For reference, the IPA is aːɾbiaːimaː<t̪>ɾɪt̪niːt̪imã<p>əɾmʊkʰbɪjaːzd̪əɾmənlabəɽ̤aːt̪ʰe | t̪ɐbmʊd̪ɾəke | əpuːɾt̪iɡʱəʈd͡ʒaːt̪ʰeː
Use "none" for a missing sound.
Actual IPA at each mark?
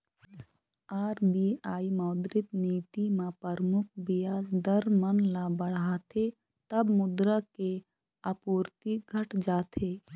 d̪, p

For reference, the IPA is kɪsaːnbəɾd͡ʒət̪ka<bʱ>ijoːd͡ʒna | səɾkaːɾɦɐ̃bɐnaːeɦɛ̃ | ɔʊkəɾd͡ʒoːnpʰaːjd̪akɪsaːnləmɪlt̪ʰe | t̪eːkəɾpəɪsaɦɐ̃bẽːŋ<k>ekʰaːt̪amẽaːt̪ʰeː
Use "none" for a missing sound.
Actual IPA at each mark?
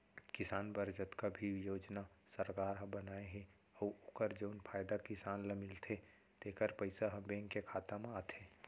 bʱ, k

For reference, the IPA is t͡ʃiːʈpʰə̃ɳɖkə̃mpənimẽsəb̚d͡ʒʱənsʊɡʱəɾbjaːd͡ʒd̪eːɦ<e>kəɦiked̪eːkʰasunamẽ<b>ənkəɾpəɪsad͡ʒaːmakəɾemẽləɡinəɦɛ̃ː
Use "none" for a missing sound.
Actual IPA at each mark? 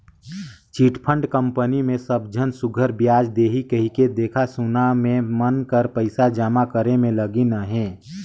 i, m

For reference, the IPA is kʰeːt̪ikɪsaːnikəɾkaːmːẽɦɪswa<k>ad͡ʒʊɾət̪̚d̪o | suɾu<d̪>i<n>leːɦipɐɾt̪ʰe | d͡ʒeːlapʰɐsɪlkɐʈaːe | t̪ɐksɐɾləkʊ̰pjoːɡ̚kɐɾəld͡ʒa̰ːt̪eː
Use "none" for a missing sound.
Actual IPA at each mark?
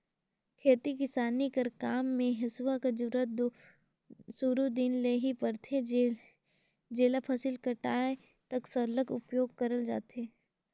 k, d̪, n

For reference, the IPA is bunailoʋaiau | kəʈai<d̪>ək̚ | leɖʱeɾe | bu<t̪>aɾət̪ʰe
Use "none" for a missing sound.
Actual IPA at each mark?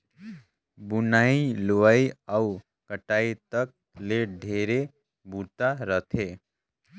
t̪, t̪

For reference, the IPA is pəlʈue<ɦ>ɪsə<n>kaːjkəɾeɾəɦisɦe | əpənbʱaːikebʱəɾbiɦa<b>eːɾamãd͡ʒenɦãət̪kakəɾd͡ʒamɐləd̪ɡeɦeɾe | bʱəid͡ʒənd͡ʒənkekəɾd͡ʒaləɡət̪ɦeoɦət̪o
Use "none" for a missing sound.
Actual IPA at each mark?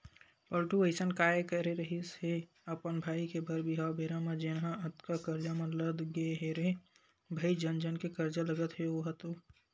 none, n, b

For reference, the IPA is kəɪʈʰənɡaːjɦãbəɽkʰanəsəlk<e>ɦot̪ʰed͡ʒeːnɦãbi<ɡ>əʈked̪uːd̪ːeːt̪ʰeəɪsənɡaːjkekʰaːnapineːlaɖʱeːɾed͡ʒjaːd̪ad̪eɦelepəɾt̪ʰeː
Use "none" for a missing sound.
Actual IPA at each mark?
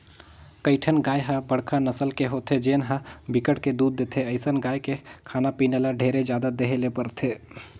e, k

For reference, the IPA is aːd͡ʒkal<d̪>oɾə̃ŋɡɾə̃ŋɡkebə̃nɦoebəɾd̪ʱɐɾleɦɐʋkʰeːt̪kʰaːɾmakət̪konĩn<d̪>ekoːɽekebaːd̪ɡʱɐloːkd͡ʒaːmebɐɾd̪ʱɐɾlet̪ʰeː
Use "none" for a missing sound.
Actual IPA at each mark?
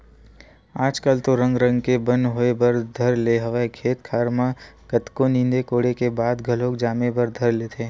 t̪, d̪

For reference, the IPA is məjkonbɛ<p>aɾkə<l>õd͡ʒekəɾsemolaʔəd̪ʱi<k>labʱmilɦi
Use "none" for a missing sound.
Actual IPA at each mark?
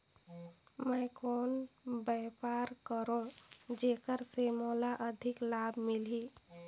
p, ɾ, k

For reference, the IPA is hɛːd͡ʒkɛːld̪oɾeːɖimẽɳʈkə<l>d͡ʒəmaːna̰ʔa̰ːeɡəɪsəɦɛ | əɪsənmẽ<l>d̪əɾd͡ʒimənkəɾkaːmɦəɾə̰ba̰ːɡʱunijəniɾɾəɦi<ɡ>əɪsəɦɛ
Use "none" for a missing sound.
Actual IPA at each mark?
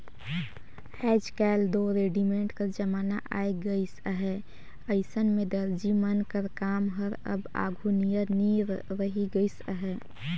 ɾ, none, ɡ

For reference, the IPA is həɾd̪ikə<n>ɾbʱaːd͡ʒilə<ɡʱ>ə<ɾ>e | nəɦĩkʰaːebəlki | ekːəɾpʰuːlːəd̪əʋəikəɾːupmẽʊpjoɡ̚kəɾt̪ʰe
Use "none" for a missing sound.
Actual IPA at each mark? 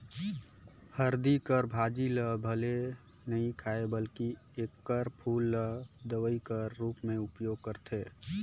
none, bʱ, l

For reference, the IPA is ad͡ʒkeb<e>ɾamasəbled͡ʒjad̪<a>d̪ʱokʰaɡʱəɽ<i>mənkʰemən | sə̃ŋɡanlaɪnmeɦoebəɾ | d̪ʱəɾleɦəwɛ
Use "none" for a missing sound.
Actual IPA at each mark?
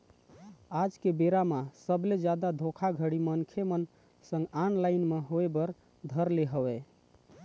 e, a, i

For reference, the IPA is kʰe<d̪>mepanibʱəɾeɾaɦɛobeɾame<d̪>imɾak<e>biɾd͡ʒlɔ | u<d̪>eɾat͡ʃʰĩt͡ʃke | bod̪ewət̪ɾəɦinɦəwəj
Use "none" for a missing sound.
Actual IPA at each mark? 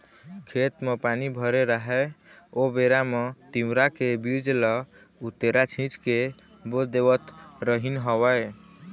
t̪, t̪, e, t̪

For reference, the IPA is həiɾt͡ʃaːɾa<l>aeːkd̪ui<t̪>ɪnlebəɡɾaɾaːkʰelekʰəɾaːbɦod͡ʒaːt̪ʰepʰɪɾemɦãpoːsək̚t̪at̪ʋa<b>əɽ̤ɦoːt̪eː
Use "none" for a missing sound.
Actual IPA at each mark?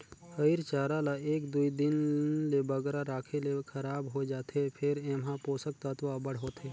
l, d̪, b

